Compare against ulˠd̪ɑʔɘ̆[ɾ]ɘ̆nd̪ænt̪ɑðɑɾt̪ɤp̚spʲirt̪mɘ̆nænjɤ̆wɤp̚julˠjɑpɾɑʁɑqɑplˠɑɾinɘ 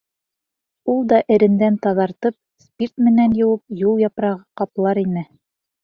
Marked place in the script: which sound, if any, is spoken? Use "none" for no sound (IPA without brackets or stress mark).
ɾ